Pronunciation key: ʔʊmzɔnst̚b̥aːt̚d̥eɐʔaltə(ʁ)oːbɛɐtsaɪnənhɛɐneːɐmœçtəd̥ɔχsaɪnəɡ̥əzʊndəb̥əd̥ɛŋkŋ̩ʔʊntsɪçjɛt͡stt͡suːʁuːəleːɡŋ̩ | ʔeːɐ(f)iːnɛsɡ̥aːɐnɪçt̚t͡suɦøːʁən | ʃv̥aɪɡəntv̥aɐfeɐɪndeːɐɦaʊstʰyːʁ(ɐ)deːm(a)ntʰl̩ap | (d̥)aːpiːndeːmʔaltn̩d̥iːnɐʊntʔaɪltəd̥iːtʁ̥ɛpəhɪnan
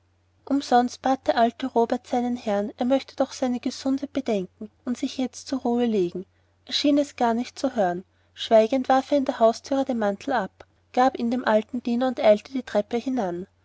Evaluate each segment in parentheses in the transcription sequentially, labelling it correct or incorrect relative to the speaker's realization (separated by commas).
correct, incorrect, incorrect, correct, incorrect